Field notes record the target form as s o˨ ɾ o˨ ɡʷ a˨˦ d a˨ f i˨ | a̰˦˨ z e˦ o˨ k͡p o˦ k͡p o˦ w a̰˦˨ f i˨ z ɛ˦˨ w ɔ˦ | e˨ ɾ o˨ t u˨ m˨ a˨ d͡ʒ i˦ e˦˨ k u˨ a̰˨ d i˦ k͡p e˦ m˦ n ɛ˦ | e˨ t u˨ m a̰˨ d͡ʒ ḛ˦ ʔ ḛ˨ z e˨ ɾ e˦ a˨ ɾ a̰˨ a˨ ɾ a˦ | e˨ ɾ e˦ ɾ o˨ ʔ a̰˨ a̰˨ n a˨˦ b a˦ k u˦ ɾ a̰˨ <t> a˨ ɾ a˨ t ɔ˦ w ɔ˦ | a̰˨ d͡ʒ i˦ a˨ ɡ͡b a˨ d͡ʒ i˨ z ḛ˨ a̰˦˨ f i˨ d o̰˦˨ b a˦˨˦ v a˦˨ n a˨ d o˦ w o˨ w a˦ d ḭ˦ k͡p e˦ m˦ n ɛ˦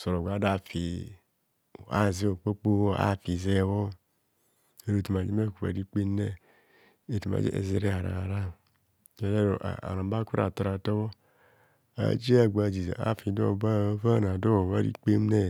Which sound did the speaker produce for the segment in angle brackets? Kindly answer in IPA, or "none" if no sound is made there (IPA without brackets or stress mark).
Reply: t